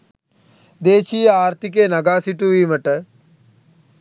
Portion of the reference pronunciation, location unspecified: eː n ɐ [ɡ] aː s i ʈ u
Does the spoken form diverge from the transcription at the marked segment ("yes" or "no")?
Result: no